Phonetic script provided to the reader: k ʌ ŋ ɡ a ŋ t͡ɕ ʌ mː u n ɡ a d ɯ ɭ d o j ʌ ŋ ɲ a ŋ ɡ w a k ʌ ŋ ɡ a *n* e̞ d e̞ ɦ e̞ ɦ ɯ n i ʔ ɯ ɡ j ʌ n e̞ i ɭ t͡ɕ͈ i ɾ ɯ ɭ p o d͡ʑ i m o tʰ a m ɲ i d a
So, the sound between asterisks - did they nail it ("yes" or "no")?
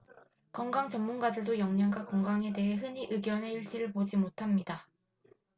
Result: no